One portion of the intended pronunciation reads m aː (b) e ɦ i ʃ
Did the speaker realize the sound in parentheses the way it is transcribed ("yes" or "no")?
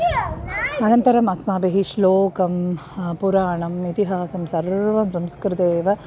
yes